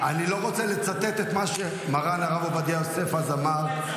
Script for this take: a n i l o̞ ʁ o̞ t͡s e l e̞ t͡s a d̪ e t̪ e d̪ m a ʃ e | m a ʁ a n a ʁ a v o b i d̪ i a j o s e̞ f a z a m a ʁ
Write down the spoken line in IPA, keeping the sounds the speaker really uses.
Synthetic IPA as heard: a n i l o̞ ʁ o̞ t͡s e l e̞ t͡s a t̪ e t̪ e t̪ m a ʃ e | m a ʁ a n a ʁ a v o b a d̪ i a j o s e̞ f a z a m a ʁ